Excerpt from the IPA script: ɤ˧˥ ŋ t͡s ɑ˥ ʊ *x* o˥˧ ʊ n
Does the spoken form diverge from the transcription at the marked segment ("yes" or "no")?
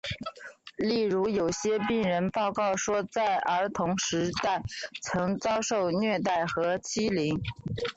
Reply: yes